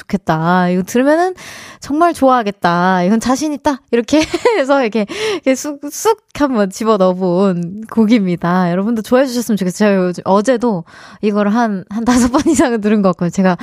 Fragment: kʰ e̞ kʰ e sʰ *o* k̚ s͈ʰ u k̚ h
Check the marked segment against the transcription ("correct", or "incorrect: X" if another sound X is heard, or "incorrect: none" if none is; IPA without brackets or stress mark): incorrect: u